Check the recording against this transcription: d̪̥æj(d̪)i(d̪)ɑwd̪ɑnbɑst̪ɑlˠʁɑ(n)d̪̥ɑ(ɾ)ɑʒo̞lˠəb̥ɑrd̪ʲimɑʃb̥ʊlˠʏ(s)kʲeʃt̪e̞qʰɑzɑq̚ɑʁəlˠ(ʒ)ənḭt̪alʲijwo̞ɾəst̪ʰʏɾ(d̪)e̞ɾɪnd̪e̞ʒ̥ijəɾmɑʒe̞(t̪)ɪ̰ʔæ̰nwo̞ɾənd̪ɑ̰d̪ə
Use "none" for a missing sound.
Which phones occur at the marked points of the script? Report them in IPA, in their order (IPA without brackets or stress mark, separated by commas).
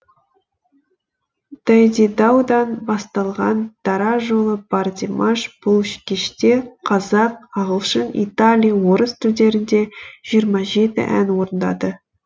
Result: d̪, d̪, n, ɾ, ʃ, ʃ, d̪, t̪